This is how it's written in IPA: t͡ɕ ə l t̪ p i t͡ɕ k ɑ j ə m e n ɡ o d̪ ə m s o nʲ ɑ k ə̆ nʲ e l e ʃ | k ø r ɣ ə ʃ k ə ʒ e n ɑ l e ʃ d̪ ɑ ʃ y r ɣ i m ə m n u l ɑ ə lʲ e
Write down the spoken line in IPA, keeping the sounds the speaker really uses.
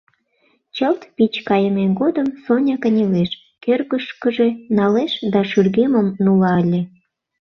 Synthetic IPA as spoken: t͡ɕ ə l t̪ p i t͡ɕ k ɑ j ə m e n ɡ o d̪ ə m s o nʲ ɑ k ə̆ nʲ e l e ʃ | k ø r ɣ ə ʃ k ə ʒ e n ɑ l e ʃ d̪ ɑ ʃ y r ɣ e m ə m n u l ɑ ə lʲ e